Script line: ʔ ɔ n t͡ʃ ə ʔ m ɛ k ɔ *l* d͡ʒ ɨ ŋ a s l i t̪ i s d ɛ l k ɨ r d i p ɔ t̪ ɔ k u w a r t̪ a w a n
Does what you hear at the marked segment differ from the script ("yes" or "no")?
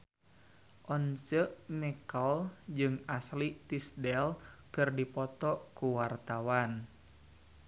no